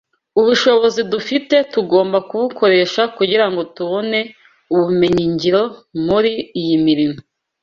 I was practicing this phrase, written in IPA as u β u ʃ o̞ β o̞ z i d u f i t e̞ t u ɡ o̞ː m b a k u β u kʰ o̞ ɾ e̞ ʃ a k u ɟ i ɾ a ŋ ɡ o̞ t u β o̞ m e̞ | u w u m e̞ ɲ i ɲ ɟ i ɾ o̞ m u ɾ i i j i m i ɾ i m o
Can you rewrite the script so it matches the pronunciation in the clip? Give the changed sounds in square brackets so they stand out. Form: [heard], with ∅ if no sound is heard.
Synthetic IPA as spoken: u β u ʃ o̞ β o̞ z i d u f i t e̞ t u ɡ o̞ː m b a k u β u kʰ o̞ ɾ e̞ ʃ a k u ɟ i ɾ a ŋ ɡ o̞ t u β o̞ [n] e̞ | u [β] u m e̞ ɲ i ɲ ɟ i ɾ o̞ m u ɾ i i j i m i ɾ i m o